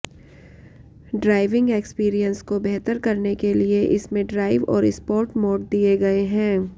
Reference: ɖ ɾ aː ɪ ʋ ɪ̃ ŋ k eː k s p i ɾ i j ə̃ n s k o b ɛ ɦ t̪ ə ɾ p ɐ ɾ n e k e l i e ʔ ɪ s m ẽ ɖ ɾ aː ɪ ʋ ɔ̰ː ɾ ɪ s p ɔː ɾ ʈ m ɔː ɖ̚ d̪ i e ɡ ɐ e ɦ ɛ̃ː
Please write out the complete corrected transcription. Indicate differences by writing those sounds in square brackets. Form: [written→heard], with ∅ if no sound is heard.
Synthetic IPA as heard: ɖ ɾ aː ɪ ʋ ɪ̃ ŋ [k→ɡ] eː k s p [i→iː] ɾ i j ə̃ n s k o b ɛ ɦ t̪ ə ɾ [p→k] ɐ ɾ n e k e l i e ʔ ɪ s m ẽ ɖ ɾ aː ɪ ʋ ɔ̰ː ɾ ɪ s p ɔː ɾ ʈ m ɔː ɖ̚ d̪ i e ɡ ɐ e ɦ ɛ̃ː